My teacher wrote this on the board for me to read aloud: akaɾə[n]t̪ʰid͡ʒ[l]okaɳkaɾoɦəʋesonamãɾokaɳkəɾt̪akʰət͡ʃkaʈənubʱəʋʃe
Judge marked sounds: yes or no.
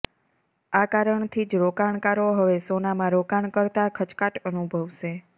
no, no

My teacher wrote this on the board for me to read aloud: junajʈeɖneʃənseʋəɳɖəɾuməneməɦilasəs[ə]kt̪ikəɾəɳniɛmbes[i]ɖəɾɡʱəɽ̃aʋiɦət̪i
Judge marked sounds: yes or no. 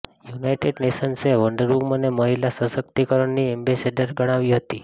yes, no

